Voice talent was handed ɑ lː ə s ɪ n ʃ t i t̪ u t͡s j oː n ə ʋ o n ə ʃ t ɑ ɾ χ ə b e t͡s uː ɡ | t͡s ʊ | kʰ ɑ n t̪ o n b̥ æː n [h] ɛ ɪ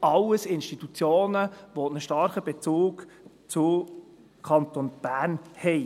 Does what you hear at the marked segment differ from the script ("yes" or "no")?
no